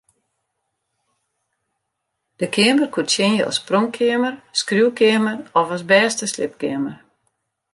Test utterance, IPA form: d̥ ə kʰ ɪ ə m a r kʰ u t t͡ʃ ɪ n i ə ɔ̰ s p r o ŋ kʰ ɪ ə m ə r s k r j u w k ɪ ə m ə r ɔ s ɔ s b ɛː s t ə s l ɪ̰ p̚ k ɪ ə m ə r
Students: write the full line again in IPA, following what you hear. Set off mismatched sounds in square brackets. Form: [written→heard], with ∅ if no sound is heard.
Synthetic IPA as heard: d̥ ə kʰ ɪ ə m [a→ə] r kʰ u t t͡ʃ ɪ n [i→j] ə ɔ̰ s p r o ŋ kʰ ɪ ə m ə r s k r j u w k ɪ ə m ə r ɔ [s→f] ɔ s b ɛː s t ə s l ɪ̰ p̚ k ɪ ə m ə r